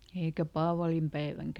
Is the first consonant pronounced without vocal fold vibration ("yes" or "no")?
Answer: yes